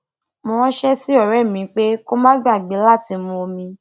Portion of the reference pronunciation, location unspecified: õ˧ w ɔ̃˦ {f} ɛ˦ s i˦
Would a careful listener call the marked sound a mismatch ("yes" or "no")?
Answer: yes